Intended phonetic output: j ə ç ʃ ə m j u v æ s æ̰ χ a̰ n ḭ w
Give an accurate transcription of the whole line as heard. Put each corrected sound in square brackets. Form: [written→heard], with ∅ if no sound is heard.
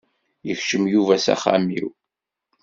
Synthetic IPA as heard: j ə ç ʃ ə m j u v æ s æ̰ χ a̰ [n→m] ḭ w